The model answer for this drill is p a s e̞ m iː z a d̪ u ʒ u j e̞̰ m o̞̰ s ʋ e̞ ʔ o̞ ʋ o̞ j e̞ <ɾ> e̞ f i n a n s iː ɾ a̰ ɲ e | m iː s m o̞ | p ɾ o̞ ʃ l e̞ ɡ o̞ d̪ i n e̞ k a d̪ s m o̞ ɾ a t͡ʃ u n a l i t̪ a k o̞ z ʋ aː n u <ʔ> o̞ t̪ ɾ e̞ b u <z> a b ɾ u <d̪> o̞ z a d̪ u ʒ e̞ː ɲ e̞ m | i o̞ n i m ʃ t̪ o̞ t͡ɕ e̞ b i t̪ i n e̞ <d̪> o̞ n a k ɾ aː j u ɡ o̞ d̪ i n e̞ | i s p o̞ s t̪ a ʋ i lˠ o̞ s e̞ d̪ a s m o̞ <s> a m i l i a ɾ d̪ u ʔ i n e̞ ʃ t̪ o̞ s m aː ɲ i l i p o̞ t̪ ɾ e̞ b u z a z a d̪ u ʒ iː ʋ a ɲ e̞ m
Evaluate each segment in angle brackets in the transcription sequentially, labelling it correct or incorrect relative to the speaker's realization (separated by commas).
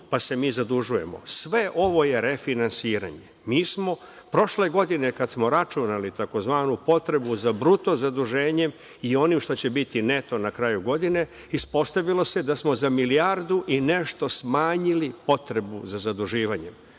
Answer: correct, incorrect, correct, incorrect, incorrect, incorrect